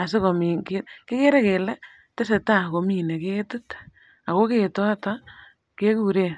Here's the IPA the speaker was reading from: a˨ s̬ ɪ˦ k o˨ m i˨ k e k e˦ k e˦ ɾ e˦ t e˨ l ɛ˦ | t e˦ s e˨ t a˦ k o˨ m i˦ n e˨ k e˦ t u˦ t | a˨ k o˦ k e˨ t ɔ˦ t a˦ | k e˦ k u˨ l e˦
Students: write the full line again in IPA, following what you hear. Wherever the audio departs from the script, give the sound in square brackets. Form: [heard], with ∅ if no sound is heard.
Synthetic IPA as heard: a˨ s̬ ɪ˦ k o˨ m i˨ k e k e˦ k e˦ ɾ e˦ [k] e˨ l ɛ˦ | t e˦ s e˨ t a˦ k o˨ m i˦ n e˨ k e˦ t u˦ t | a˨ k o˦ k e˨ t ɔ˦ t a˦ | k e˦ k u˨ [ɾ] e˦

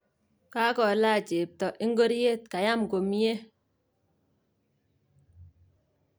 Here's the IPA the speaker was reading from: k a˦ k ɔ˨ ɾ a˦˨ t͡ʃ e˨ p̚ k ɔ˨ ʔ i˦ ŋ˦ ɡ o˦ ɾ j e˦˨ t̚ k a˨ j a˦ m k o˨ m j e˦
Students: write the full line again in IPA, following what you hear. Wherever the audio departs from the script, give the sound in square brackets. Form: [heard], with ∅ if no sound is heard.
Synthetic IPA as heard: k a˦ k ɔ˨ [l] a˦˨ t͡ʃ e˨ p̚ [t] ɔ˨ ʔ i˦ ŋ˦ ɡ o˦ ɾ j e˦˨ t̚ k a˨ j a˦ m k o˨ m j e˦

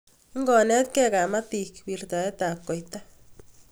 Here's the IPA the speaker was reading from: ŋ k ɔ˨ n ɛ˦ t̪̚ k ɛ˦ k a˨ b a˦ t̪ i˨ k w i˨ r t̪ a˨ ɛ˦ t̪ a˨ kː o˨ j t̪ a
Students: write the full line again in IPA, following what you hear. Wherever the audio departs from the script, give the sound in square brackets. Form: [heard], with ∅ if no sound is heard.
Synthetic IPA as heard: ŋ [ɡ] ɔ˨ n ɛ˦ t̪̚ k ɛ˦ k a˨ [m] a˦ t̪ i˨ k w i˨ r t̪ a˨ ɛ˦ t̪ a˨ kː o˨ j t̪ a

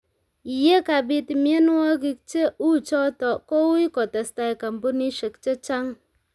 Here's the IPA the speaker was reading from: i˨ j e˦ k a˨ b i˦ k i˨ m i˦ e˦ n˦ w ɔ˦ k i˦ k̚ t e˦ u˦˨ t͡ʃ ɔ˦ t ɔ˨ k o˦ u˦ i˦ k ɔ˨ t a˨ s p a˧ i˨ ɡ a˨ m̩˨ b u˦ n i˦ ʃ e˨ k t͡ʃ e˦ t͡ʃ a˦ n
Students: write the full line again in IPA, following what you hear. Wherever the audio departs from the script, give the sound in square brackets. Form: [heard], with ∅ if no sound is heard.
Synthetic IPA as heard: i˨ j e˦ k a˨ b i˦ [t] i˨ m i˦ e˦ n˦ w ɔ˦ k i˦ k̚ [t͡ʃ] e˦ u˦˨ t͡ʃ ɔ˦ t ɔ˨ k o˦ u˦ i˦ k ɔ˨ t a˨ s [t] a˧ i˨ [k] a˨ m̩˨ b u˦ n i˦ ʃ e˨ k t͡ʃ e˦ t͡ʃ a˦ [ŋ]

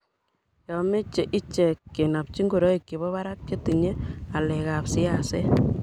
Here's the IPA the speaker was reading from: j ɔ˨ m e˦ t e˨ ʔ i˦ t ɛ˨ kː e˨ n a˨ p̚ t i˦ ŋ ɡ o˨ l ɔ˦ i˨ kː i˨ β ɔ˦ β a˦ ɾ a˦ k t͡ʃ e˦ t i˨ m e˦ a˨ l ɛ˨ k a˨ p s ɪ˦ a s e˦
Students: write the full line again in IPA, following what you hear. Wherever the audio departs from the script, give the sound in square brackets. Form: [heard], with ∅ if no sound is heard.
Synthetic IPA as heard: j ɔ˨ m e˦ [t͡ʃ] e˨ ʔ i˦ [t͡ʃ] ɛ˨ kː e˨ n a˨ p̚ [t͡ʃ] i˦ ŋ ɡ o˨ [ɾ] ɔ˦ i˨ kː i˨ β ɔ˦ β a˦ ɾ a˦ k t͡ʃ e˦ t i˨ [ɲ] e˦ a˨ l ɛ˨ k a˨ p s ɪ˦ a s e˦

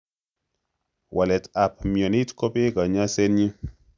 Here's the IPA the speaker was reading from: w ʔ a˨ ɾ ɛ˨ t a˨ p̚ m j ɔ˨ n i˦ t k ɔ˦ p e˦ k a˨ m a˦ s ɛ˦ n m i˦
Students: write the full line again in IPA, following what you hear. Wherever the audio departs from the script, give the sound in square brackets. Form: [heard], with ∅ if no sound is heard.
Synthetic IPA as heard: w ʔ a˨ [l] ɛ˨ t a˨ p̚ m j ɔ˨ n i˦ t k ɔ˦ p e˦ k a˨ [ɲ] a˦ s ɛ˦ n [ɲ] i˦

